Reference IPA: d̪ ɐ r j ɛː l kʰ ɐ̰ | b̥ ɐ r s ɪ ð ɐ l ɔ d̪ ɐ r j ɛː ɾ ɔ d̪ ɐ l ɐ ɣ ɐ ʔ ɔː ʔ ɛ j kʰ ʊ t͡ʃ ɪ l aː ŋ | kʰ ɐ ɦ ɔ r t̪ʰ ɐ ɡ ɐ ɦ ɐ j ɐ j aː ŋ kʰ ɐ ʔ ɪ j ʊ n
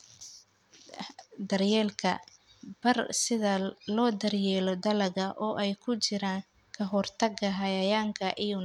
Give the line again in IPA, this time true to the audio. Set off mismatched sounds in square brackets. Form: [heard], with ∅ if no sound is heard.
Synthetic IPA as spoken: d̪ ɐ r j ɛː l kʰ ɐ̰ | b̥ ɐ r s ɪ ð ɐ l [ɔː] d̪ ɐ r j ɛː [l] ɔ d̪ ɐ l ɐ ɣ ɐ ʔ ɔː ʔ ɛ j kʰ ʊ t͡ʃ ɪ [ɾ] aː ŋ | kʰ ɐ ɦ ɔ r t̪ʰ ɐ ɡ ɐ ɦ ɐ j ɐ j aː ŋ kʰ ɐ ʔ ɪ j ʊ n